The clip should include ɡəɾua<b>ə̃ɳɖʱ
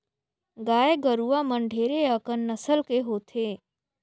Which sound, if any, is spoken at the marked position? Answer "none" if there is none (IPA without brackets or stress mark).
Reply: m